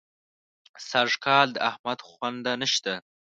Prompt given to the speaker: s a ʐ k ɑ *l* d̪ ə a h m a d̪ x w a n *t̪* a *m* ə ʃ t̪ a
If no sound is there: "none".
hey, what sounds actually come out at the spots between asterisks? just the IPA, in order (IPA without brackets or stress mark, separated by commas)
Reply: l, d̪, n